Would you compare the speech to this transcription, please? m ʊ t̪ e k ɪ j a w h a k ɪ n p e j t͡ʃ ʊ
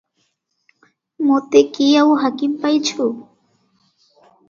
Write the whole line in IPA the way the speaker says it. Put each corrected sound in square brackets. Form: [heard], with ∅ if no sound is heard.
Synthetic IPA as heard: m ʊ t̪ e k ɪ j a w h a k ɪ [m] p [a] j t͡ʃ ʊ